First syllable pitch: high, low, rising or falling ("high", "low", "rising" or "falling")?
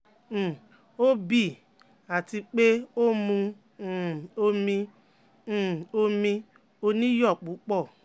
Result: high